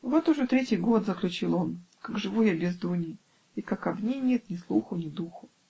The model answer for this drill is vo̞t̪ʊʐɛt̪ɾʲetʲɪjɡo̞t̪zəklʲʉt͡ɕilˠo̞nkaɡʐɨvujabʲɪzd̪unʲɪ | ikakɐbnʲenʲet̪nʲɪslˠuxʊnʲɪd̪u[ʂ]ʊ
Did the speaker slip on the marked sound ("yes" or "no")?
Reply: yes